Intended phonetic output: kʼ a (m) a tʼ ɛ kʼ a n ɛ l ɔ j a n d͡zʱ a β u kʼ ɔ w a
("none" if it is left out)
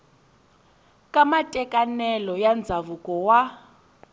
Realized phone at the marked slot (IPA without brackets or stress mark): m